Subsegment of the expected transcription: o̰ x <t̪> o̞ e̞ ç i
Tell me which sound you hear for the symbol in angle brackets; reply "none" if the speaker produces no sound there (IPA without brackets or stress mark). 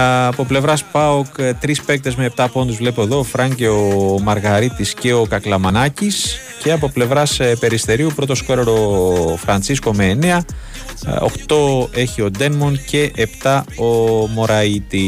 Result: t̪